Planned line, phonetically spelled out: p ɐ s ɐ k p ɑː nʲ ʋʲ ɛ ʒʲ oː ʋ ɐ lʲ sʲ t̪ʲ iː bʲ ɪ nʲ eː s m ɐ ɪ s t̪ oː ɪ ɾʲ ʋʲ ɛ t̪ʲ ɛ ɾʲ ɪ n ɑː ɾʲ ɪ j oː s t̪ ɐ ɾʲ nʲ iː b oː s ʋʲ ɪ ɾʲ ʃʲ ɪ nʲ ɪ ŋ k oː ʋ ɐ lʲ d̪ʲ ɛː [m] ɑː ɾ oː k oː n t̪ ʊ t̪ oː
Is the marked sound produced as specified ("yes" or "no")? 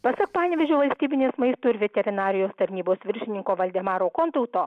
yes